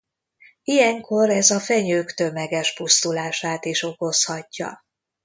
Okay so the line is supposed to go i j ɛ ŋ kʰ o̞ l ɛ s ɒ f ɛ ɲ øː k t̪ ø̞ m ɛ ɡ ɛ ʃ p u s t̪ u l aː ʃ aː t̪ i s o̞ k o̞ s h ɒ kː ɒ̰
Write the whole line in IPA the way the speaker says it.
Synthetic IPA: i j ɛ ŋ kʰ o̞ ɾ ɛ z ɒ f ɛ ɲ øː k t̪ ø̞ m ɛ ɡ ɛ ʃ p u s t̪ u l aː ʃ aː t̪ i ʃ o̞ k o̞ s h ɒ cː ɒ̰